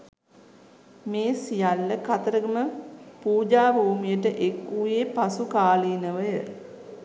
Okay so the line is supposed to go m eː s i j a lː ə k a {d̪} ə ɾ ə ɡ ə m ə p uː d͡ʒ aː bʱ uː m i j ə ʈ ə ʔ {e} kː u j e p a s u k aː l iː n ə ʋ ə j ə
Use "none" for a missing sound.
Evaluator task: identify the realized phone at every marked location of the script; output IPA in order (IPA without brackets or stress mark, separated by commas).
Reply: t̪, e